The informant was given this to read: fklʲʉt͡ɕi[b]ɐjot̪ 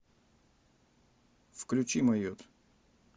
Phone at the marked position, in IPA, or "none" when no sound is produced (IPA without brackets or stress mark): m